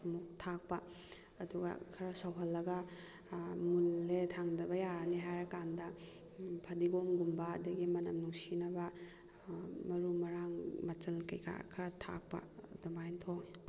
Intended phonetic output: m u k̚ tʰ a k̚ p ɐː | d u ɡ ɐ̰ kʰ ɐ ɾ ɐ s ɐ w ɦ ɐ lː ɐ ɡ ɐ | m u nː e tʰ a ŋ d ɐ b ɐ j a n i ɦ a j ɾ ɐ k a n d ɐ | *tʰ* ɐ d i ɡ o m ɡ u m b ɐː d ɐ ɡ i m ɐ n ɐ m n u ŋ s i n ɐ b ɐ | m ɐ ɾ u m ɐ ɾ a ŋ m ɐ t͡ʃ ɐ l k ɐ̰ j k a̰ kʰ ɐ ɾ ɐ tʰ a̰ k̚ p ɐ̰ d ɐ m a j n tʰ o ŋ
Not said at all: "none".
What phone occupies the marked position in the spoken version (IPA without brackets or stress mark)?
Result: pʰ